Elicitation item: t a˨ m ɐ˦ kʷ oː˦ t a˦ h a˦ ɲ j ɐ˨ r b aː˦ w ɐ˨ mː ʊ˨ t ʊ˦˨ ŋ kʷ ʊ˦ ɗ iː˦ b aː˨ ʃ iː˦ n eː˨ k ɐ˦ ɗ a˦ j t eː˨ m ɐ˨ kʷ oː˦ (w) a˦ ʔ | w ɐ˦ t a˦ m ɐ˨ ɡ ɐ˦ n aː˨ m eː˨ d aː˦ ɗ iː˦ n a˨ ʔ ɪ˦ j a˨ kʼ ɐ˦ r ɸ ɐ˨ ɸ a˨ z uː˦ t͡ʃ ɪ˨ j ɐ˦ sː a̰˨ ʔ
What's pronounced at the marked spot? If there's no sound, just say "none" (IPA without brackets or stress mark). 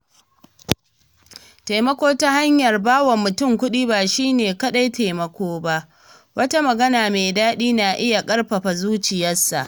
b